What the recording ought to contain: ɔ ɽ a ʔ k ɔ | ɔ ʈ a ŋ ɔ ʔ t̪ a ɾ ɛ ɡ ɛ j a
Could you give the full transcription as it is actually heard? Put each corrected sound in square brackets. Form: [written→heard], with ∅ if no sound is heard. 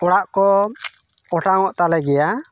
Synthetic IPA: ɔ ɽ a ʔ k ɔ | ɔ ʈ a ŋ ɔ ʔ t̪ a [ɾ→l] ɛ ɡ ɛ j a